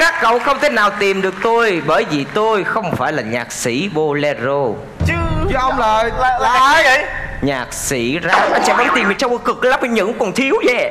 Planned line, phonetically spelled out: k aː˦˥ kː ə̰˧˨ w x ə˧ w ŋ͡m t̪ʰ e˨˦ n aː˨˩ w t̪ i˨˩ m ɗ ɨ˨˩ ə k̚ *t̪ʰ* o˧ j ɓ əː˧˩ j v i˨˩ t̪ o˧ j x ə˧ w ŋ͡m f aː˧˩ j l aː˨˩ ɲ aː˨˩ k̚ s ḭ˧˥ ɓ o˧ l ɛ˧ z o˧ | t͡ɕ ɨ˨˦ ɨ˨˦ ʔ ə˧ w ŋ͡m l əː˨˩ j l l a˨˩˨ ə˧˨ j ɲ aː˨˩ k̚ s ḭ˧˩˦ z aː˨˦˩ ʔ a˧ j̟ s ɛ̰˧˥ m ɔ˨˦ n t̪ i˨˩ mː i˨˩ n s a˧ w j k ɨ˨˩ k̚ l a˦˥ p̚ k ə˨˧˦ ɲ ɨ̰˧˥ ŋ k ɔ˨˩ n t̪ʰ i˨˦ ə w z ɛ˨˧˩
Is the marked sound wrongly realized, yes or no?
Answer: yes